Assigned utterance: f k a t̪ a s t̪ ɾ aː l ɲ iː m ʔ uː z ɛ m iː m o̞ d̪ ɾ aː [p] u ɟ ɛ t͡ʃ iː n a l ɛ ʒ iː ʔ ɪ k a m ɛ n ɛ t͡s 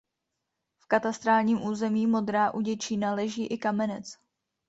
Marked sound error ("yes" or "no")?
yes